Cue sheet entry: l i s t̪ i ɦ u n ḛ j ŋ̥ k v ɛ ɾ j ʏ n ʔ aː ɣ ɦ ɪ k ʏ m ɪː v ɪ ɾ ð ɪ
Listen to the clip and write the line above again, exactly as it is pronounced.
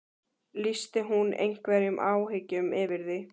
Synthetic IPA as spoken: l i s t̪ ɪ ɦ u n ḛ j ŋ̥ k v ɛ ɾ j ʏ m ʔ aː w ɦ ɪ c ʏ m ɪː v ɪ ɾ ð ɪ